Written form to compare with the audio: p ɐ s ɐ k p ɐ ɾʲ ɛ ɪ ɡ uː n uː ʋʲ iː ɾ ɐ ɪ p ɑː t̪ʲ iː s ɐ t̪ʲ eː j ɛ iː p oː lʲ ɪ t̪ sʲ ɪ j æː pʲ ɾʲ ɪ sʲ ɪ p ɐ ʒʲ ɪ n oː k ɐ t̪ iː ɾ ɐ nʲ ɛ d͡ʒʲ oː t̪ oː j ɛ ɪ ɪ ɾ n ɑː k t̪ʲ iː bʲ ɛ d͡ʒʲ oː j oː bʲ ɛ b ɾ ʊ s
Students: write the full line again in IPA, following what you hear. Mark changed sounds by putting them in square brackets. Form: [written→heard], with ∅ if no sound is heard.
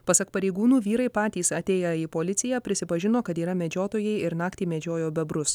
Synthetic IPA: p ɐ s ɐ k p ɐ ɾʲ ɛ ɪ ɡ uː n uː ʋʲ iː ɾ ɐ ɪ p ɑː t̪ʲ iː s ɐ t̪ʲ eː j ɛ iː p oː lʲ ɪ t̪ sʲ ɪ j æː pʲ ɾʲ ɪ sʲ ɪ p ɐ ʒʲ ɪ n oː k ɐ t̪ iː ɾ ɐ [nʲ→mʲ] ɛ d͡ʒʲ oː t̪ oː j ɛ ɪ ɪ ɾ n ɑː k t̪ʲ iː [bʲ→mʲ] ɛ d͡ʒʲ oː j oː bʲ ɛ b ɾ ʊ s